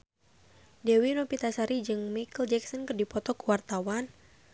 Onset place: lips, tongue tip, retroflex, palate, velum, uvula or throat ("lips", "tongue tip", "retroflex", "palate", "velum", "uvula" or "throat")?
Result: tongue tip